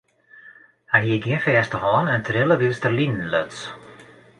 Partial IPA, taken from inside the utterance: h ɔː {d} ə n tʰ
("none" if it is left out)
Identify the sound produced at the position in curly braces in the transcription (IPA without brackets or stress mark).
n